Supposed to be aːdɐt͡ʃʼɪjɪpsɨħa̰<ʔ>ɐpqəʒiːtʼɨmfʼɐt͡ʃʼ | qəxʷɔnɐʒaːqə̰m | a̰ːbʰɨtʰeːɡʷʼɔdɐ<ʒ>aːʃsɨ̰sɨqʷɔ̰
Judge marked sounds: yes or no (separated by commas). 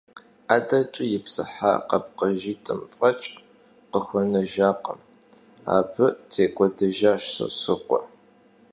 no, yes